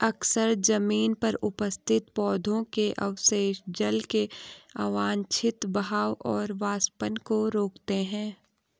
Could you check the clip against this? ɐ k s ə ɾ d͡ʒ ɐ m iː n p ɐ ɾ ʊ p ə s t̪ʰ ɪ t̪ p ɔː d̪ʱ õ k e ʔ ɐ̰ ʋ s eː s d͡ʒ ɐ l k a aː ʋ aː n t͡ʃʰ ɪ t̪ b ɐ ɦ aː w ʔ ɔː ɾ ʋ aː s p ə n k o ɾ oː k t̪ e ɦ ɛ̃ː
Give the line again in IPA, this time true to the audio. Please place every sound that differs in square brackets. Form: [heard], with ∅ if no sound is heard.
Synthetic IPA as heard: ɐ k s ə ɾ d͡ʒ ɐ m iː n p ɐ ɾ ʊ p ə s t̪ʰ ɪ t̪ p ɔː d̪ʱ õ k e ʔ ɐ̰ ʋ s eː [ʃ] d͡ʒ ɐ l k [e] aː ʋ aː n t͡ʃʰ ɪ t̪ b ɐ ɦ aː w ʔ ɔː ɾ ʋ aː s p ə n k o ɾ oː k t̪ e ɦ ɛ̃ː

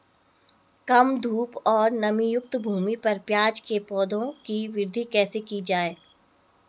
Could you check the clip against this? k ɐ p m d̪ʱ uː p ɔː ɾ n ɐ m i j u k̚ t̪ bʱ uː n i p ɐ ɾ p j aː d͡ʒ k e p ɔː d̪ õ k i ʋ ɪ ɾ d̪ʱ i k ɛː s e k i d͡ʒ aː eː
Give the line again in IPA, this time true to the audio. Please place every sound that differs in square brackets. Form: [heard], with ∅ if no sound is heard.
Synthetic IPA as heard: k ɐ [∅] m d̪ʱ uː p ɔː ɾ n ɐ m i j [ʊ] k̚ t̪ bʱ uː [m] i p ɐ ɾ p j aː d͡ʒ k e p ɔː d̪ õ k i ʋ ɪ ɾ d̪ʱ i k ɛː s e k i d͡ʒ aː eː

